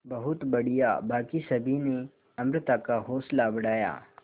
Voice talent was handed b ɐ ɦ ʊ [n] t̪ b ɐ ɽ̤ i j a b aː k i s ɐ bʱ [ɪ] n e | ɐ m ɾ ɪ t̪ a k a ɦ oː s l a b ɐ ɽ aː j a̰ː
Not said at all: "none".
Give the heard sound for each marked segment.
none, i

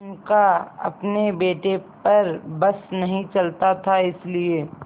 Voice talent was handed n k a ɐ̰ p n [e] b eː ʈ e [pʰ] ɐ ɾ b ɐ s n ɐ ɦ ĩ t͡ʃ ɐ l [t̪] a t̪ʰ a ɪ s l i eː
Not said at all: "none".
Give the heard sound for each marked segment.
e, p, t̪

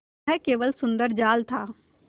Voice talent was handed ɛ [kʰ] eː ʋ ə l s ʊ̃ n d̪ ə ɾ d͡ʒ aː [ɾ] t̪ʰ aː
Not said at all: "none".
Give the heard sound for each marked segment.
k, l

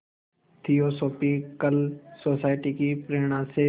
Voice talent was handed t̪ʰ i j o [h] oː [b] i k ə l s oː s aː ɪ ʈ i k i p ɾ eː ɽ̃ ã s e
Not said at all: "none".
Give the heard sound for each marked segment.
s, p

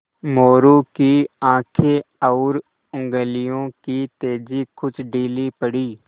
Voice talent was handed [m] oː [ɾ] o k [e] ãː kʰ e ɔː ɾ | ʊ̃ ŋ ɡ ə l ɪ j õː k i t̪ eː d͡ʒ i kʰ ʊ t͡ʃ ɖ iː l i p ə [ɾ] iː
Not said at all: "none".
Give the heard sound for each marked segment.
m, ɾ, i, ɽ

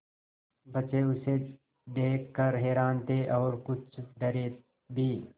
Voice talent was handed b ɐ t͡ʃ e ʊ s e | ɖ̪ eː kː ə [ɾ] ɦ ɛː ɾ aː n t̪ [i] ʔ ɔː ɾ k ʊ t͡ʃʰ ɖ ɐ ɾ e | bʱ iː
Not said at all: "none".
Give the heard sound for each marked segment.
ɾ, e

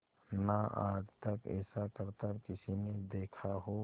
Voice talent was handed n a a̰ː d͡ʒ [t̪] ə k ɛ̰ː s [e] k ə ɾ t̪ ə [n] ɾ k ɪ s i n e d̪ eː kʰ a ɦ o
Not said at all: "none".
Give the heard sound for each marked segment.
t̪, a, none

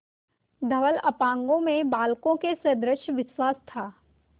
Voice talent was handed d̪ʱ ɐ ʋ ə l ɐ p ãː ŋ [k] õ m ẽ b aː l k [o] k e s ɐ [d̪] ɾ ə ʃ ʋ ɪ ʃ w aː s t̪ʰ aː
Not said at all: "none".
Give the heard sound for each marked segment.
ɡ, õ, d̪

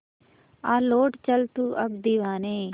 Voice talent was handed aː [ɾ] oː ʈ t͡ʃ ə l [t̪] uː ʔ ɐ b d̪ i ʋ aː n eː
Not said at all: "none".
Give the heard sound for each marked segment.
l, t̪

